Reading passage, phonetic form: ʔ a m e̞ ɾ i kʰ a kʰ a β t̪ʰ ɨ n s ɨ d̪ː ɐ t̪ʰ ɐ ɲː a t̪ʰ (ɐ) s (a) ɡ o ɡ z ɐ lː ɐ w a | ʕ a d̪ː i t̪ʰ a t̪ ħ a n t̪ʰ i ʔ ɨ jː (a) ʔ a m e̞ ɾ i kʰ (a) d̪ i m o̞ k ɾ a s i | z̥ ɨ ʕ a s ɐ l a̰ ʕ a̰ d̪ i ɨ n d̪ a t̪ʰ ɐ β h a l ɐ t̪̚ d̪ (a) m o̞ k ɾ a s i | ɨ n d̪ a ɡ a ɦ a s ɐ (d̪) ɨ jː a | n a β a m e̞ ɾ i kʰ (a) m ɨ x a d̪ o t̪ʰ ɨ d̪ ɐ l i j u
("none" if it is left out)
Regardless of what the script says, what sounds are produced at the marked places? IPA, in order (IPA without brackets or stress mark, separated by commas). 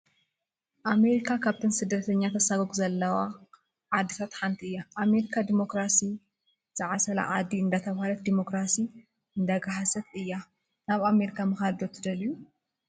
ɐ, a, a, a, i, t̪, a